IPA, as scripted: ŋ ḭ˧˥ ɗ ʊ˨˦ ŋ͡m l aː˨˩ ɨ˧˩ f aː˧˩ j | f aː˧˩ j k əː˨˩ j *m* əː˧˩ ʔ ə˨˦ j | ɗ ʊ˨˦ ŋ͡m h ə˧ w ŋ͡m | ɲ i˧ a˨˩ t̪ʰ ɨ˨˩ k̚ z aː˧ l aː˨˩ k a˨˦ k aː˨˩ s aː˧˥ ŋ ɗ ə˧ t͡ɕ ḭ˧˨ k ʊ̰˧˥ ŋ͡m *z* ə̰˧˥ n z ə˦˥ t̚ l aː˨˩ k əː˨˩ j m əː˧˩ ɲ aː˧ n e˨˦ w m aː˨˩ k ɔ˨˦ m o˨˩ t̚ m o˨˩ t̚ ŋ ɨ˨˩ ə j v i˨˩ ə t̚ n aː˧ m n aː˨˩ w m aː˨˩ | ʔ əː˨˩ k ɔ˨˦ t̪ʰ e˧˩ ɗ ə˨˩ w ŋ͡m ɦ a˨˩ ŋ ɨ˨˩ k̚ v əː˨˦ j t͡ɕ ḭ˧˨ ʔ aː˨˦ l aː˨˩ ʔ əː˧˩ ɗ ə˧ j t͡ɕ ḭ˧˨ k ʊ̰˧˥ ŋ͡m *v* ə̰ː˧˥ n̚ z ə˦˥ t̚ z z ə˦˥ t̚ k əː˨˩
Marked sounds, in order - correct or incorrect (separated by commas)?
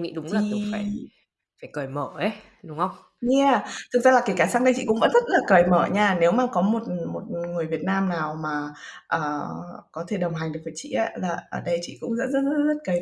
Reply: correct, incorrect, incorrect